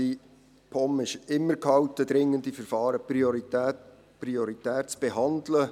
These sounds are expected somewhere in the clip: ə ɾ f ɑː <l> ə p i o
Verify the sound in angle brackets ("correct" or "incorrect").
incorrect